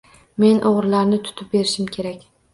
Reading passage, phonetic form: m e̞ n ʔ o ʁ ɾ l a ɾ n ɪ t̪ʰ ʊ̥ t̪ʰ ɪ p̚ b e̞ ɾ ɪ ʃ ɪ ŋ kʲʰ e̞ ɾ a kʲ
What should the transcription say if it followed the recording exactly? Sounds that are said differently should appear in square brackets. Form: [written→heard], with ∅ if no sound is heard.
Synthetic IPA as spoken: m e̞ n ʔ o ʁ ɾ l a ɾ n ɪ t̪ʰ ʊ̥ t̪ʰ ɪ p̚ b e̞ ɾ ɪ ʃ ɪ [ŋ→m] kʲʰ e̞ ɾ a kʲ